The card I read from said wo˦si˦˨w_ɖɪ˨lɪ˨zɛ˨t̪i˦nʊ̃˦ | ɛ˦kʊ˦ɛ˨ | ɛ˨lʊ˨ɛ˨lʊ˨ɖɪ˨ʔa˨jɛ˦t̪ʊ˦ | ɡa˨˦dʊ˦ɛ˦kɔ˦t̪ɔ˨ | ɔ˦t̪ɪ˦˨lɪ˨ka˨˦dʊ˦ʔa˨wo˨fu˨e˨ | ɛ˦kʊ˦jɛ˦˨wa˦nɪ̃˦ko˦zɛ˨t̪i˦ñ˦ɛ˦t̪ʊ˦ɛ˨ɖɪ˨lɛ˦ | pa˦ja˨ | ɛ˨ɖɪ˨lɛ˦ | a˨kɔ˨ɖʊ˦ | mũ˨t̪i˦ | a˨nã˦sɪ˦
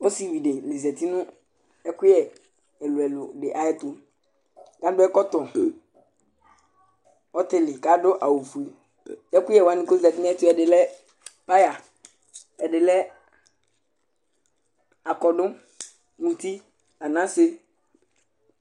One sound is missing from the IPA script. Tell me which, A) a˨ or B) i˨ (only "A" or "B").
B